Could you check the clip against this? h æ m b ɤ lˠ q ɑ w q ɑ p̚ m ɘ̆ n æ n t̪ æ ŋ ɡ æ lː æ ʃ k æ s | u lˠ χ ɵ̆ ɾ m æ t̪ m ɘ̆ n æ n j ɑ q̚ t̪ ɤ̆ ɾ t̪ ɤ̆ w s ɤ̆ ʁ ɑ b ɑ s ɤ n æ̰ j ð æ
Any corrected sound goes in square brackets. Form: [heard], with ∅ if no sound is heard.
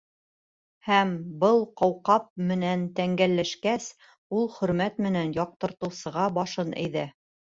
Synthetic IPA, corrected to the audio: h æ m b ɤ lˠ q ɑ w q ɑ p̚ m ɘ̆ n æ n t̪ æ ŋ ɡ æ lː æ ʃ k æ s | u lˠ χ ɵ̆ ɾ m æ t̪ m ɘ̆ n æ n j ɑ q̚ t̪ ɤ̆ ɾ t̪ ɤ̆ w s ɤ̆ ʁ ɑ b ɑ [ʃ] ɤ n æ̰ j ð æ